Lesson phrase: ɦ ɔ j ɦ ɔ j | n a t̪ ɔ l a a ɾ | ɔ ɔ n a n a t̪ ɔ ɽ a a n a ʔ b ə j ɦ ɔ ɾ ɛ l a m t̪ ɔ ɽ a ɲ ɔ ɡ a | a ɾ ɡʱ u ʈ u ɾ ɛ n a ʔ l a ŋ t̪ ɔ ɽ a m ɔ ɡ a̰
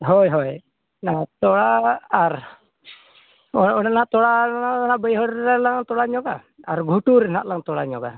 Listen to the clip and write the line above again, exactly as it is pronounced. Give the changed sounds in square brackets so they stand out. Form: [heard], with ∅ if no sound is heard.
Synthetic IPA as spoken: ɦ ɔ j ɦ ɔ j | n a t̪ ɔ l a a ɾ | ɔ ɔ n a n a t̪ ɔ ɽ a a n a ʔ b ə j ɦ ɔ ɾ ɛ l a [ŋ] t̪ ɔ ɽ a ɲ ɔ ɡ a | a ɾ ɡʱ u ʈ u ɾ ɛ n a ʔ l a ŋ t̪ ɔ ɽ a [ɲ] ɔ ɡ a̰